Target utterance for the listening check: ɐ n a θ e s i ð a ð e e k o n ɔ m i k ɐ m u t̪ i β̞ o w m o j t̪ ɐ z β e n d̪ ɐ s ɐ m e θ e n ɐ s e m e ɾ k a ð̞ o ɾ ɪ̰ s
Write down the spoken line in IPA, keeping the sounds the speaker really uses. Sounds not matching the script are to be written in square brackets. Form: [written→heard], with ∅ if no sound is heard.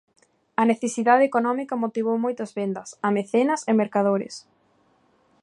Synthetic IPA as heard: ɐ n [a→e] θ e s i ð a ð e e k o n ɔ m i k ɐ m [u→o] t̪ i β̞ o w m o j t̪ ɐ z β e n d̪ ɐ s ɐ m e θ e n ɐ s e m e ɾ k a ð̞ o ɾ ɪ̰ s